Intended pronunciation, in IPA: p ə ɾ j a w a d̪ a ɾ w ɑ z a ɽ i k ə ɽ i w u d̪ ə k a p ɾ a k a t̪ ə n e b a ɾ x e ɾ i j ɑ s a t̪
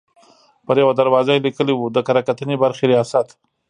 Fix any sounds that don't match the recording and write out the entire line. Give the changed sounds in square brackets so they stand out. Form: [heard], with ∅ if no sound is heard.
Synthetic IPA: p ə ɾ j a w a d̪ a ɾ w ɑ z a [l] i k ə [l] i w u d̪ ə k a [∅] ɾ a k a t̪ ə n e b a ɾ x e ɾ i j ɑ s a t̪